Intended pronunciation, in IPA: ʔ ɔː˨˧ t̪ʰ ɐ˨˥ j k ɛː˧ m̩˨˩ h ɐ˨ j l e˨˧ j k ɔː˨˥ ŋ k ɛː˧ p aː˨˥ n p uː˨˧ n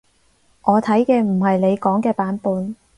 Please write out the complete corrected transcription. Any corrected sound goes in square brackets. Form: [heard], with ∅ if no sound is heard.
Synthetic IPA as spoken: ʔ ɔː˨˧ t̪ʰ ɐ˨˥ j k ɛː˧ m̩˨˩ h ɐ˨ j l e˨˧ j k ɔː˨˥ ŋ k ɛː˧ p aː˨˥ n p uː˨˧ n